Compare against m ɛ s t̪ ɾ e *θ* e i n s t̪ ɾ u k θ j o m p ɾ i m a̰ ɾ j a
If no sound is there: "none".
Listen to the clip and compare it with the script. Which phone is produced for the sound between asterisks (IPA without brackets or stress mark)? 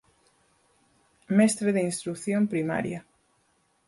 ð